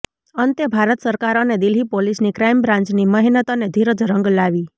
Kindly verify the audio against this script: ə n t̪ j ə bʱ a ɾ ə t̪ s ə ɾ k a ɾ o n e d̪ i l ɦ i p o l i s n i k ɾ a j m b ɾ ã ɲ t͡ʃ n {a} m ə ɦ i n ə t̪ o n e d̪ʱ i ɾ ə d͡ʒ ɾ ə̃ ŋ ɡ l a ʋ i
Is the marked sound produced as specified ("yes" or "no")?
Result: no